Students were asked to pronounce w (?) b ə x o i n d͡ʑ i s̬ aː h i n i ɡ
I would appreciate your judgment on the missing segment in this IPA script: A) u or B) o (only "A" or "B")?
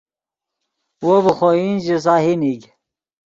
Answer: B